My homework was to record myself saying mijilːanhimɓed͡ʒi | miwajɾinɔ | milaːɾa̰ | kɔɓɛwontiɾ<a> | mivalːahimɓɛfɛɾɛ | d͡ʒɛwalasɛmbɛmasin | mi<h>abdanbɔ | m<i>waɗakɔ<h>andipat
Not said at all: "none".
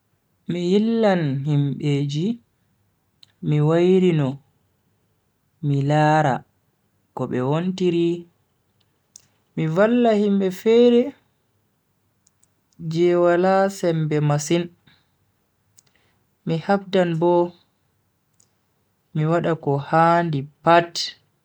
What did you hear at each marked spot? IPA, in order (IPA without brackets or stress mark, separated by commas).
i, h, i, h